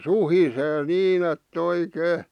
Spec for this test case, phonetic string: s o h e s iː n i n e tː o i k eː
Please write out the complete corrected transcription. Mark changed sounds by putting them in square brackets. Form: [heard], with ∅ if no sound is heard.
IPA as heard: s [u] h [i] s [eː] n [iː] n e tː o i k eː